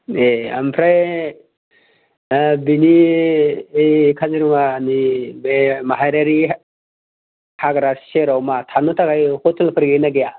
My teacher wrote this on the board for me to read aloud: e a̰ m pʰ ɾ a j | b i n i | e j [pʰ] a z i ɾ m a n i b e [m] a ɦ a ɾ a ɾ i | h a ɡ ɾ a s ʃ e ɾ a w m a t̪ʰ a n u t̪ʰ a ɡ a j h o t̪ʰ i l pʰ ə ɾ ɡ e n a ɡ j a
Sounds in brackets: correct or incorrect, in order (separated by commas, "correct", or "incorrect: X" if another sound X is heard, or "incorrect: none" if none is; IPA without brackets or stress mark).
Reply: incorrect: kʰ, correct